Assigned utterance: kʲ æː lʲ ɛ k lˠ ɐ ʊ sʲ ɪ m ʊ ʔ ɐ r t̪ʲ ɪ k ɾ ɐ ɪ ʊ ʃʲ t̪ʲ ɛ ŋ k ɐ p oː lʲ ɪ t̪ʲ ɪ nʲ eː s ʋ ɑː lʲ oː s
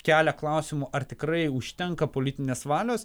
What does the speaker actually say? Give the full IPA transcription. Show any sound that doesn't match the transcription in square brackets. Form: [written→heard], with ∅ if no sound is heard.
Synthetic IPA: kʲ æː lʲ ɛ k lˠ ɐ ʊ sʲ ɪ m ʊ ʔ ɐ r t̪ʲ ɪ k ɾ ɐ ɪ ʊ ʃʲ t̪ʲ ɛ ŋ k ɐ p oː lʲ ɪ t̪ʲ ɪ nʲ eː s ʋ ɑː lʲ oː s